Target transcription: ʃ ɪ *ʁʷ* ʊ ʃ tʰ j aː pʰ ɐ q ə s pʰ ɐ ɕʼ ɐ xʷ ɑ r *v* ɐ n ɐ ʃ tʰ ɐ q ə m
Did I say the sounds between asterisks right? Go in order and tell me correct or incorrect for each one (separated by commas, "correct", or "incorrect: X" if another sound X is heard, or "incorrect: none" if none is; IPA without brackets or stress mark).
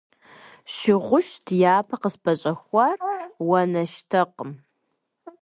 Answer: correct, incorrect: w